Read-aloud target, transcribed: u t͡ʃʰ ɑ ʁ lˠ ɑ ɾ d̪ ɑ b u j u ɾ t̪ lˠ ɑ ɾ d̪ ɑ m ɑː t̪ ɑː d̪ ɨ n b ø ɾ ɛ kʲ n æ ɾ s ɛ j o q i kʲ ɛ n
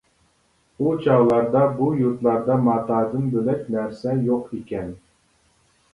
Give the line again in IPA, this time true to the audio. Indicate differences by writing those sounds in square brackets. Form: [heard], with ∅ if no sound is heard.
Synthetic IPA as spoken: u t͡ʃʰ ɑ ʁ lˠ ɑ ɾ d̪ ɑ b u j u ɾ t̪ lˠ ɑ ɾ d̪ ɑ m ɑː t̪ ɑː d̪ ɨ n b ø [l] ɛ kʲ n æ ɾ s ɛ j o q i kʲ ɛ n